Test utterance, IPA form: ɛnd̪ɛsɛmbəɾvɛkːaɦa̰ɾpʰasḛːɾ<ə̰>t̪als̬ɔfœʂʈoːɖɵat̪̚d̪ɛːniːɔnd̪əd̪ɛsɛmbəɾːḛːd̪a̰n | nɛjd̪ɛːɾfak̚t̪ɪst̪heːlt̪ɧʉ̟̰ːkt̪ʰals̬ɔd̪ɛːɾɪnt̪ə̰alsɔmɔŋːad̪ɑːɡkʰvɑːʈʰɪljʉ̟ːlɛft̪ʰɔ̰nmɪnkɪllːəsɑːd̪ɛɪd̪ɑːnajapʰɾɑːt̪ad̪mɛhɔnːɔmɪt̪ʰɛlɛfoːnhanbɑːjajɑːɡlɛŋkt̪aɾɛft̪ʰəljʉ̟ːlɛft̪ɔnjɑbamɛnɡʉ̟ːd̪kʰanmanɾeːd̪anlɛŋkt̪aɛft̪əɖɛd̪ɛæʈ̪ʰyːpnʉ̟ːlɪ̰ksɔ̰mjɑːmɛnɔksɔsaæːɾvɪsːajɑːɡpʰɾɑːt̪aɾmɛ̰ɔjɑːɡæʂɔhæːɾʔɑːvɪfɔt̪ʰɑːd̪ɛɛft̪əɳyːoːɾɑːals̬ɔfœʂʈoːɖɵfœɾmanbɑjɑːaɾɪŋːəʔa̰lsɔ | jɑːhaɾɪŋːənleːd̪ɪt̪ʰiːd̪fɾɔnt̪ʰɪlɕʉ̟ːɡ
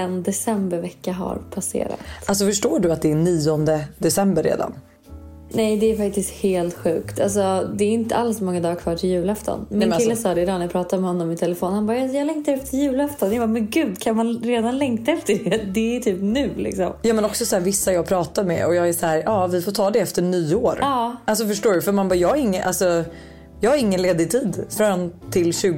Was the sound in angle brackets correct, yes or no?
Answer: no